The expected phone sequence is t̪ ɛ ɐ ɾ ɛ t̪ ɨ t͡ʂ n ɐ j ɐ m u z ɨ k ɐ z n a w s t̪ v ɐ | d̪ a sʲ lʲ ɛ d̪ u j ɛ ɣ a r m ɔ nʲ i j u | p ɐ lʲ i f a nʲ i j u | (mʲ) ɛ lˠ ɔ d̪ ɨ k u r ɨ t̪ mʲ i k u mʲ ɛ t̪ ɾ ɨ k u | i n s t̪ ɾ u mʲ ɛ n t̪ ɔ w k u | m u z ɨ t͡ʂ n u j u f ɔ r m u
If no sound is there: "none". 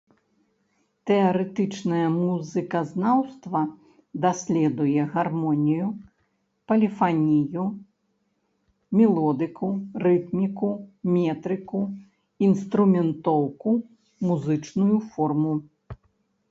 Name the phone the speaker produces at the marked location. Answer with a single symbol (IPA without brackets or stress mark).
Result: mʲ